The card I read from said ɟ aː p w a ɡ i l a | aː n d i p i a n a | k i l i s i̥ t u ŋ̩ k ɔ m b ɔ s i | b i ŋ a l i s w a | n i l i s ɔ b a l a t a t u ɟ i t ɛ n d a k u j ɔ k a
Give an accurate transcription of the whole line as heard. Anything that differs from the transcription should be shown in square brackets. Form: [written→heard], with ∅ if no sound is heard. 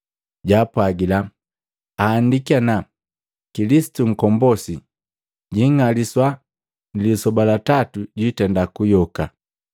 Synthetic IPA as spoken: ɟ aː p w a ɡ i l a | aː n d i [p→k] i a n a | k i l i s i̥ t u ŋ̩ k ɔ m b ɔ s i | [b→ɟ] i ŋ a l i s w a | n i l i s ɔ b a l a t a t u ɟ i t ɛ n d a k u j ɔ k a